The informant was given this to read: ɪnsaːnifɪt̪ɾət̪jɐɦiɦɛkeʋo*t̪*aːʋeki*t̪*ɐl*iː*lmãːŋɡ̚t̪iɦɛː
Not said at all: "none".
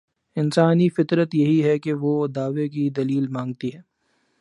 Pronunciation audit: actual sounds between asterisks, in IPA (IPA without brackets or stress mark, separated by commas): d̪, d̪, iː